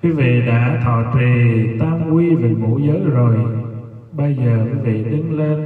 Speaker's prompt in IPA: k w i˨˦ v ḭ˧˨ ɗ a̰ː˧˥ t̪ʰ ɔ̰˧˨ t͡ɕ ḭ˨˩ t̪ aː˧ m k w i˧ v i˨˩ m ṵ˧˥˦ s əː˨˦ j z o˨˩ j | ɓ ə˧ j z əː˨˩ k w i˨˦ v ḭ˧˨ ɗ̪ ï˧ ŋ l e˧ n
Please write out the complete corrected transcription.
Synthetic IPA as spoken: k w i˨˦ v ḭ˧˨ ɗ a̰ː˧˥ t̪ʰ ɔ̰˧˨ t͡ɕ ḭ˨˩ t̪ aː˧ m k w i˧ v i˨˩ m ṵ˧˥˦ z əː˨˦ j z o˨˩ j | ɓ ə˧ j z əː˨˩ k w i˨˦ v ḭ˧˨ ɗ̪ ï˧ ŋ l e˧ n

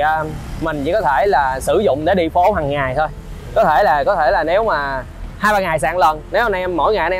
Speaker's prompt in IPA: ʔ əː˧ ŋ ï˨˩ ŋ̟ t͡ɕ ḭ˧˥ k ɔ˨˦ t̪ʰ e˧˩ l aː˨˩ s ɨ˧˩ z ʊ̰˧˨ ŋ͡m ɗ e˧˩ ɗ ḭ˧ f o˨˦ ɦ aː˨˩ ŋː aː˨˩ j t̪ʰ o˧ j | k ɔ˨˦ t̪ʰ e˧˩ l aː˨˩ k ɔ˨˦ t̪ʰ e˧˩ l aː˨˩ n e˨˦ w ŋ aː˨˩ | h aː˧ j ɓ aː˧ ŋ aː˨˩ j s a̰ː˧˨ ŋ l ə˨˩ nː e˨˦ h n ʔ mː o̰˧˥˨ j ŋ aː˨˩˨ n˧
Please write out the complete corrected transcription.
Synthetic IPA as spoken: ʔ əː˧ m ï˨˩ ŋ̟ t͡ɕ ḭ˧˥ k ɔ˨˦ t̪ʰ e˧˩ l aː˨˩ s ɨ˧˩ z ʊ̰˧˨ ŋ͡m ɗ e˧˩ ɗ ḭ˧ f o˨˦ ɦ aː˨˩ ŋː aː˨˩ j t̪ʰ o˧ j | k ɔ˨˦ t̪ʰ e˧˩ l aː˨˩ k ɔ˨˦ t̪ʰ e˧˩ l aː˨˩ n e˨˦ w m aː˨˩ | h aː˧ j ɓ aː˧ ŋ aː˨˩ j s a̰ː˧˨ ŋ l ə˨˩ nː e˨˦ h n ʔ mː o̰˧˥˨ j ŋ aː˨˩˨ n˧

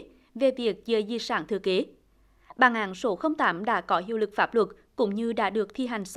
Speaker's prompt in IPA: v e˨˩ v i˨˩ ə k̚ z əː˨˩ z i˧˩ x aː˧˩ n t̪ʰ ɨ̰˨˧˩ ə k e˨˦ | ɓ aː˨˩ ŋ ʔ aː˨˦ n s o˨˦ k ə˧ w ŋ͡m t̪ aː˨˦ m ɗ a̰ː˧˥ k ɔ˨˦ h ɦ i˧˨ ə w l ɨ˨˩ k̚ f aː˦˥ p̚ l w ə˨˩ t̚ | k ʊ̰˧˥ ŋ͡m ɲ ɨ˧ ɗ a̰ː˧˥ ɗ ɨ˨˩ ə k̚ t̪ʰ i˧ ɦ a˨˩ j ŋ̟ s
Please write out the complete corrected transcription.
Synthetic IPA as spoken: v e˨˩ v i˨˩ ə k̚ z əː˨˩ z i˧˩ s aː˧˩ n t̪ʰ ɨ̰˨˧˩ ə k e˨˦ | ɓ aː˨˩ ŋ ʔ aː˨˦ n s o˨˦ x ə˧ w ŋ͡m t̪ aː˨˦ m ɗ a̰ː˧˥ k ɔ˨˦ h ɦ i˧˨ ə w l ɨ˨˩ k̚ f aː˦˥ p̚ l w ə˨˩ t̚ | k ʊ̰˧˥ ŋ͡m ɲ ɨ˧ ɗ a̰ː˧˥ ɗ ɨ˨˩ ə k̚ t̪ʰ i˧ ɦ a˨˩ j ŋ̟ s

